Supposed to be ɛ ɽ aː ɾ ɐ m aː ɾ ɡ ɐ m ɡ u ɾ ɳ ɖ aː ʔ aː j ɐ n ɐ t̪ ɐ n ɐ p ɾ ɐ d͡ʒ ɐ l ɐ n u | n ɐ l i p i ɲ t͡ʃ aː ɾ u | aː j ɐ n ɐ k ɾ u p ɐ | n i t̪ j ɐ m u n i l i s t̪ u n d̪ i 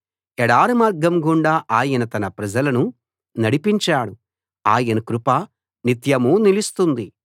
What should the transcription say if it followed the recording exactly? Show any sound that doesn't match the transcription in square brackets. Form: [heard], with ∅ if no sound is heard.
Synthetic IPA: ɛ ɽ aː ɾ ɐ m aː ɾ ɡ ɐ m ɡ u [∅] ɳ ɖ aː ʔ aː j ɐ n ɐ t̪ ɐ n ɐ p ɾ ɐ d͡ʒ ɐ l ɐ n u | n ɐ [ɽ] i p i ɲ t͡ʃ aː [ɽ] u | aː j ɐ n ɐ k ɾ u p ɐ | n i t̪ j ɐ m u n i l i s t̪ u n d̪ i